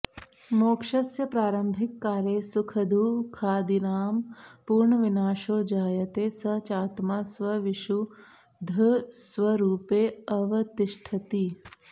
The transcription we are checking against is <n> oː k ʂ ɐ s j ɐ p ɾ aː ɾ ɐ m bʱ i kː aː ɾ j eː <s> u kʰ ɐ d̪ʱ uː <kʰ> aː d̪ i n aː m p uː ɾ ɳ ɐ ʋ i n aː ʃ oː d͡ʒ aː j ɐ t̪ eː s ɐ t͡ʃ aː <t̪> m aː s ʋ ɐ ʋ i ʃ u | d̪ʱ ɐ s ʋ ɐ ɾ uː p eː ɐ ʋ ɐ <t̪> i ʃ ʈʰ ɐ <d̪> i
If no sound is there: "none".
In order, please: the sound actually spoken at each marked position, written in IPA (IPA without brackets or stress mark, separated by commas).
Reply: m, s, kʰ, t̪, t̪, t̪